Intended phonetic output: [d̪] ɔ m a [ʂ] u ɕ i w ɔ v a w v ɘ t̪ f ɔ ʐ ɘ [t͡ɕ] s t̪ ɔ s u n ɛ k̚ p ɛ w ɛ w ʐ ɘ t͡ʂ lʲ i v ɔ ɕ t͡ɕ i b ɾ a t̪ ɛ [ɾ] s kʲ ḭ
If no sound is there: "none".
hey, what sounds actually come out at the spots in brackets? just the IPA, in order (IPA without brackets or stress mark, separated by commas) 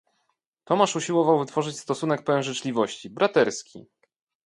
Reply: t̪, ʂ, t͡ɕ, ɾ